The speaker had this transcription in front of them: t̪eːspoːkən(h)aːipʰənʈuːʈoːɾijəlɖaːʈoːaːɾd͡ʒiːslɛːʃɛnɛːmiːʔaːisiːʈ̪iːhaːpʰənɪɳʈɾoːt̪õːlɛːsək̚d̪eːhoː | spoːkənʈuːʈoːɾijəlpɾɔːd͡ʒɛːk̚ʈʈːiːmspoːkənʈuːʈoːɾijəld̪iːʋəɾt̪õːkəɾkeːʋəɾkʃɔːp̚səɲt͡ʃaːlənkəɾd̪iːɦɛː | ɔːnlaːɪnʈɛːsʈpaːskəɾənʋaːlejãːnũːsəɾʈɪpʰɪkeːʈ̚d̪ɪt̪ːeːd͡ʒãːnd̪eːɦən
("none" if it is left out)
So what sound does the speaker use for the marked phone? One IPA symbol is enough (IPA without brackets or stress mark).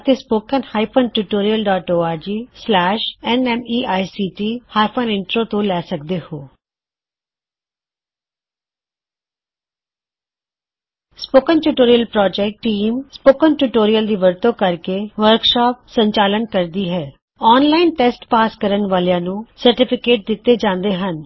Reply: h